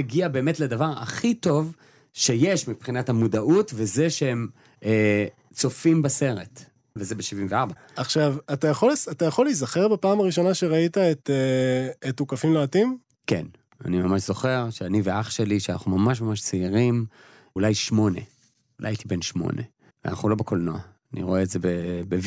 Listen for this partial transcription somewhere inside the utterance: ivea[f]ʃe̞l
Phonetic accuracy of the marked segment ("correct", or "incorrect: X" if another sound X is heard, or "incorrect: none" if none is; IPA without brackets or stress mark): incorrect: χ